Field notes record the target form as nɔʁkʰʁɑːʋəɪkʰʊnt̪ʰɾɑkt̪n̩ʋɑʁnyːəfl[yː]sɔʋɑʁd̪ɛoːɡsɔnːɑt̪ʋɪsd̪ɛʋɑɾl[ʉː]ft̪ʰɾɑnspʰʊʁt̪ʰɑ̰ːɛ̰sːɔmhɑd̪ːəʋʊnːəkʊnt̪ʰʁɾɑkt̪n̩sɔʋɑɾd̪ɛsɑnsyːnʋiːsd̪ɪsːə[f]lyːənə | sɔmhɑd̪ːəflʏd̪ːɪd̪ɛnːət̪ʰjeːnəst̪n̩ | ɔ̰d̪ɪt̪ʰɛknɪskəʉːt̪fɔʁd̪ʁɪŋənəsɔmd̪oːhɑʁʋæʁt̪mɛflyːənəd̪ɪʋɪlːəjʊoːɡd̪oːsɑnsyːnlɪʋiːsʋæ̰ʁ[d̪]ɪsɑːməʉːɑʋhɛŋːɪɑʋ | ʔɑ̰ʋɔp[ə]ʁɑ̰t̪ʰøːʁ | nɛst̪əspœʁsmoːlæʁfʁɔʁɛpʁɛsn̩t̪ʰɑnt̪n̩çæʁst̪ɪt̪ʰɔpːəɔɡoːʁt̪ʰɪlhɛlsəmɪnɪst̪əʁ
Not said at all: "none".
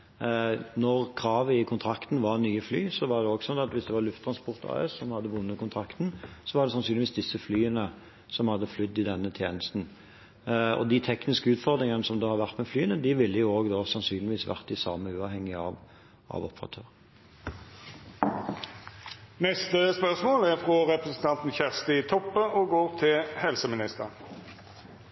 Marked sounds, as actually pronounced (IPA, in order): yː, ʉ, f, t̪, ə

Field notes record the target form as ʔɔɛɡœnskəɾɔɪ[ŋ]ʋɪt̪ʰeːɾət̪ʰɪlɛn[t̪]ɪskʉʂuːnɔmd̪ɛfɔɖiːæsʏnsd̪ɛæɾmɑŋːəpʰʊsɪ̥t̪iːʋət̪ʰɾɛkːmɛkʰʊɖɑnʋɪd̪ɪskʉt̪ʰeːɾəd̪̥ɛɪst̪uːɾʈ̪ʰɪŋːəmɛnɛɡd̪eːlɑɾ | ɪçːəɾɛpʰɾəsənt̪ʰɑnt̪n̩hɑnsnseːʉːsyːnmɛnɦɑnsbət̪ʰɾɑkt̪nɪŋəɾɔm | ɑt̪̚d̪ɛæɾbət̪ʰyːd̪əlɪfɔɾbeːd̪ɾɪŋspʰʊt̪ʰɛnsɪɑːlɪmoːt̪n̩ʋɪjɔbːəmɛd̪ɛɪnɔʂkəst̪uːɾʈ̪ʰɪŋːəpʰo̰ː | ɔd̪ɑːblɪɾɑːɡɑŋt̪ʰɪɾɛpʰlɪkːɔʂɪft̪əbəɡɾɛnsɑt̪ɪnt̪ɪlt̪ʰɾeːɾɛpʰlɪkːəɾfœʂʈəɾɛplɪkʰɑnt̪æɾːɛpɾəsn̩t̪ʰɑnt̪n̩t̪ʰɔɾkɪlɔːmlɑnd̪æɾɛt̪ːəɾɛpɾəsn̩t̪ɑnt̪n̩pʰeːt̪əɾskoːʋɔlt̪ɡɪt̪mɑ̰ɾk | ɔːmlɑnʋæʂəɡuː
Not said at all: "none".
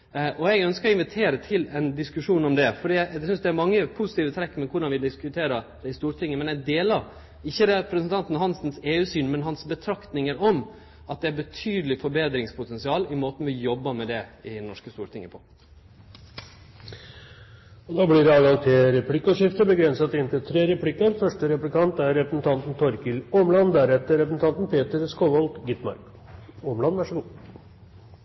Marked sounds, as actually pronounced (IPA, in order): n, d̪

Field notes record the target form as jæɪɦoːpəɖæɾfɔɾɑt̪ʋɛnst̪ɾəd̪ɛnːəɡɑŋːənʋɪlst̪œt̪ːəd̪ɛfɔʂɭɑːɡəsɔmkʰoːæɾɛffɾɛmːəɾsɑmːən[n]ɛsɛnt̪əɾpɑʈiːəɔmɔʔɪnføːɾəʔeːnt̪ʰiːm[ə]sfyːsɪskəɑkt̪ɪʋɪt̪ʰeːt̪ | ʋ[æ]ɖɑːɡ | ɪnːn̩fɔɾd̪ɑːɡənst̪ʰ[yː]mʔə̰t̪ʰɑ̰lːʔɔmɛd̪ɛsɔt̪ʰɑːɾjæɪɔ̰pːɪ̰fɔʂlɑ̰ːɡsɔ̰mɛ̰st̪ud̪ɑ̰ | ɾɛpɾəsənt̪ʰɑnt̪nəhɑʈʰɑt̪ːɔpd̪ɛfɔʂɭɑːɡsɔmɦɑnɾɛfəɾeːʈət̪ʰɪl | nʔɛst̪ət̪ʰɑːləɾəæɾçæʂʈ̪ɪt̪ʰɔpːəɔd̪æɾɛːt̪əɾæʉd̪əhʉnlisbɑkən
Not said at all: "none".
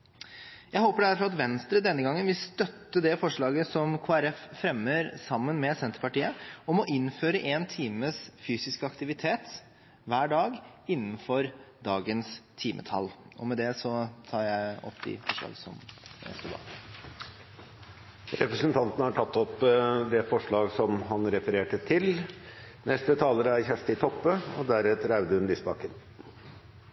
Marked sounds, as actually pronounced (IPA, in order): m, ə, æː, iː

